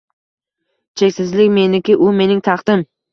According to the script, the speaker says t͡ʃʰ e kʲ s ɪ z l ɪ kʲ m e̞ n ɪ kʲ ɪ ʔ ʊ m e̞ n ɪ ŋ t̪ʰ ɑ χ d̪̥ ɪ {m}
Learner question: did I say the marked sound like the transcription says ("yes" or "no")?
yes